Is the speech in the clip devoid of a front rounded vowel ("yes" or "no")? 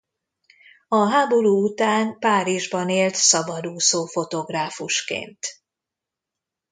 yes